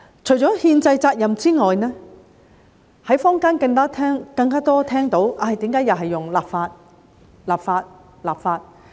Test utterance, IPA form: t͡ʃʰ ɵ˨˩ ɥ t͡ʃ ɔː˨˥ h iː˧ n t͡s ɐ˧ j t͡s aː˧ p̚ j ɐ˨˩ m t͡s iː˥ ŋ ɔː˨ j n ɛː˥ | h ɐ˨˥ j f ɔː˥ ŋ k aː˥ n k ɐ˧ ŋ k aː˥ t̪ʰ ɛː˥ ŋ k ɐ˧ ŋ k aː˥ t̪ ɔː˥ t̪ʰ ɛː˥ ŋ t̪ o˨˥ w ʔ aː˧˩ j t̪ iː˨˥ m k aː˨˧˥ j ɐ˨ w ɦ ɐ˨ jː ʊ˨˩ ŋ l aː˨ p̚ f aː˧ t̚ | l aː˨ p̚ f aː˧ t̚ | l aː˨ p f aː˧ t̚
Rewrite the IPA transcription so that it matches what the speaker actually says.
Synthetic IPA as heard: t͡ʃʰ ɵ˨˩ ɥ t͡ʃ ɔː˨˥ h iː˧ n t͡s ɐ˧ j t͡s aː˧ k̚ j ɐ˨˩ m t͡s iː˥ ŋ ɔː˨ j n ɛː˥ | h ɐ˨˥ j f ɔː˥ ŋ k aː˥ n k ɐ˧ ŋ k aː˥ t̪ʰ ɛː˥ ŋ k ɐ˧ ŋ k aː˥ t̪ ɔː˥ t̪ʰ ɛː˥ ŋ t̪ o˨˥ w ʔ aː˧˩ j t̪ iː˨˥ m k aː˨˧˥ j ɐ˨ w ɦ ɐ˨ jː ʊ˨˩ ŋ l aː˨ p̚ f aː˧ t̚ | l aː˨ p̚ f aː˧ t̚ | l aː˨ p f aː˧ t̚